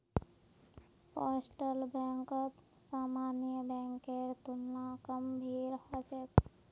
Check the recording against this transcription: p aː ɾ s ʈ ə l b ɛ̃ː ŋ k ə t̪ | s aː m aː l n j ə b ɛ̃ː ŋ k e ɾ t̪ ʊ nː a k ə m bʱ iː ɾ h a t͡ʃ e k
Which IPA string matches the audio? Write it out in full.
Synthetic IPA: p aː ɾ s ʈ ə l b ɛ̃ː ŋ k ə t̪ | s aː m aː n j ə b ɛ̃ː ŋ k e ɾ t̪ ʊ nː a k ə m bʱ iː ɾ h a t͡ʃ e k